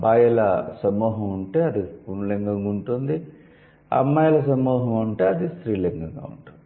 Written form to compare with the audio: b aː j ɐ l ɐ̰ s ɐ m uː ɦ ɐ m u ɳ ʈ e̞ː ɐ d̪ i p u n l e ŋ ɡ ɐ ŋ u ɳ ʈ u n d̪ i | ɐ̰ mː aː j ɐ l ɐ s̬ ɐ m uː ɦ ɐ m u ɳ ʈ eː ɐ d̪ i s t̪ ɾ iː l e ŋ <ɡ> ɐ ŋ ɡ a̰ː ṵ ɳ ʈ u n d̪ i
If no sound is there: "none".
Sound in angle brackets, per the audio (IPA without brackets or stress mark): ɡ